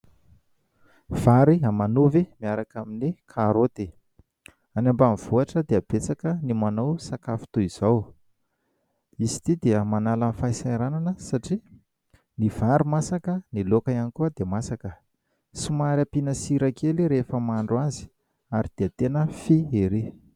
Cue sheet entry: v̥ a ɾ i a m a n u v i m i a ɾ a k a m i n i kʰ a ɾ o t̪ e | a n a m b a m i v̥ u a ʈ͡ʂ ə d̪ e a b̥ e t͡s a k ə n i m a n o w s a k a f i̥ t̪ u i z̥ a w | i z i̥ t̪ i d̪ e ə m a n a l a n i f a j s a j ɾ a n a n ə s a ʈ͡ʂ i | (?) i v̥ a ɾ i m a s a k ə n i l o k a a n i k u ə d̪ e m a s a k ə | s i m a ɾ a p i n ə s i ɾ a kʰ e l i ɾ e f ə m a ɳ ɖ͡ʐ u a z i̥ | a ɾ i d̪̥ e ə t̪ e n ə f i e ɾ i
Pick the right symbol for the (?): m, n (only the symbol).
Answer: n